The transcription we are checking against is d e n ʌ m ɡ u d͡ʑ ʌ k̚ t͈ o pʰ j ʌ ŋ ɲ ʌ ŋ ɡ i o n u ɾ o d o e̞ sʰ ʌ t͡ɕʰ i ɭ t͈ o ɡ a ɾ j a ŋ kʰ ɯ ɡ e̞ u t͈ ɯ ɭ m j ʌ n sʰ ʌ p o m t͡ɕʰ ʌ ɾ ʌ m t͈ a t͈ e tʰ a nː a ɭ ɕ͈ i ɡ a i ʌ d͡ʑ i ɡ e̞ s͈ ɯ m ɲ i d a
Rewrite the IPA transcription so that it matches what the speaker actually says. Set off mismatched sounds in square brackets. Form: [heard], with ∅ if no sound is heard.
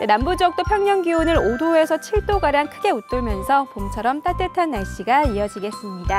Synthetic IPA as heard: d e n [a] m [b] u d͡ʑ ʌ k̚ t͈ o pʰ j ʌ ŋ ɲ ʌ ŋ ɡ i o n [ɯ] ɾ o d o e̞ sʰ ʌ t͡ɕʰ i ɭ t͈ o ɡ a ɾ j a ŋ kʰ ɯ ɡ e̞ u t͈ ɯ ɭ m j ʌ n sʰ ʌ p o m t͡ɕʰ ʌ ɾ ʌ m t͈ a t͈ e tʰ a nː a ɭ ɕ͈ i ɡ a i ʌ d͡ʑ i ɡ e̞ s͈ ɯ m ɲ i d a